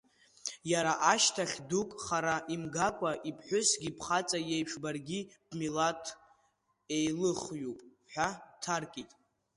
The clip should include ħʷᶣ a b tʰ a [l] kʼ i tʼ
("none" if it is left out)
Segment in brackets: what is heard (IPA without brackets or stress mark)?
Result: r